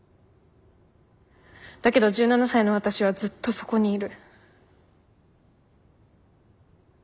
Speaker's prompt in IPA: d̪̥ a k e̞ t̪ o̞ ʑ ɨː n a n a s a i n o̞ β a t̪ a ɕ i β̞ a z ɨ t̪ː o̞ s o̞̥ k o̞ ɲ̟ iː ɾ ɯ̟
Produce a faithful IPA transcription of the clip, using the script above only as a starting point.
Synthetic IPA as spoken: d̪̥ a k e̞ d̪ o̞ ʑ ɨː n a n a s a i n o̞ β a t̪ a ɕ i β̞ a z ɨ t̪ː o̞ s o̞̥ k o̞ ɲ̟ iː ɾ ɯ̟